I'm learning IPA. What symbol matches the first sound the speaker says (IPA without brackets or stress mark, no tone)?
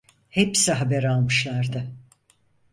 h